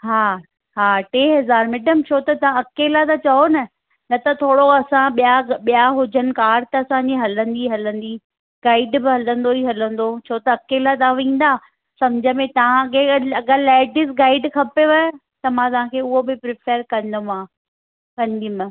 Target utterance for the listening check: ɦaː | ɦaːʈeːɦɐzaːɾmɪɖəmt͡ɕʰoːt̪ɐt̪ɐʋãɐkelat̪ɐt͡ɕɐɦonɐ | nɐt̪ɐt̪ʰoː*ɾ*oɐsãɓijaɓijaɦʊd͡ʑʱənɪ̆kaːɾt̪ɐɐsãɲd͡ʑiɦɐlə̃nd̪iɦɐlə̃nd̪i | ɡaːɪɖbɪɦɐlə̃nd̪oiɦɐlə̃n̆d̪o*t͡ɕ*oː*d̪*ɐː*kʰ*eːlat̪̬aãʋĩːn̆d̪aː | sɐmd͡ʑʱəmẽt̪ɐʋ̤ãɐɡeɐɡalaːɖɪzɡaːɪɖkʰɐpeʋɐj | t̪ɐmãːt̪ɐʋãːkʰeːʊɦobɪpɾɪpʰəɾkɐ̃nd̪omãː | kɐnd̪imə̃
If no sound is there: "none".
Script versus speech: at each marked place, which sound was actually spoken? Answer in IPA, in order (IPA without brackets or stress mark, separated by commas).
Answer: ɽ, t͡ɕʰ, t̪, k